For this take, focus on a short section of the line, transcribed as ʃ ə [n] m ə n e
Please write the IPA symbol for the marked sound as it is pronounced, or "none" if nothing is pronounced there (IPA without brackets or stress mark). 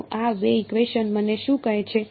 n